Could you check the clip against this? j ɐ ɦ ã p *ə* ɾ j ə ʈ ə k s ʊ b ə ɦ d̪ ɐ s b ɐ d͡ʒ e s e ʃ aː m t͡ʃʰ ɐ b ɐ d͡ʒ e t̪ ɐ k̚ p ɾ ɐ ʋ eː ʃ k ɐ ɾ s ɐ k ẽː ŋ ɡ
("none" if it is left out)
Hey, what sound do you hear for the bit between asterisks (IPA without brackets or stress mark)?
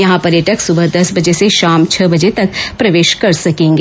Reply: ɐ